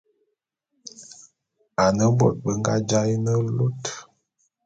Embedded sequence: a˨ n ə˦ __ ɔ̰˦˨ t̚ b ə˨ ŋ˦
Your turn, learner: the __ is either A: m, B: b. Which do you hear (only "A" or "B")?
B